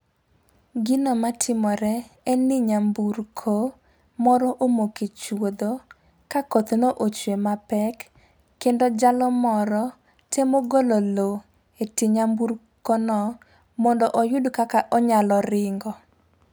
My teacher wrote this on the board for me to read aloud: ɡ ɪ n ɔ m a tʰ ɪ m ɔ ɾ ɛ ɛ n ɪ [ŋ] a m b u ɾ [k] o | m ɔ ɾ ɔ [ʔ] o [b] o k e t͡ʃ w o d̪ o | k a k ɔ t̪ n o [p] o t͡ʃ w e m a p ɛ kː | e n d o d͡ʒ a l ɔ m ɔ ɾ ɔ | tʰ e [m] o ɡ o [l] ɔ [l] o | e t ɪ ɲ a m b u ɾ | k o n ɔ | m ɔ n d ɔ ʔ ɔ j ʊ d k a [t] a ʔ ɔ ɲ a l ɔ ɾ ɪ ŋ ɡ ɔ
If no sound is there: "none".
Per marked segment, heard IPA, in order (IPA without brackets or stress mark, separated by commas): ɲ, kʰ, ʔ, m, ʔ, m, l, l, k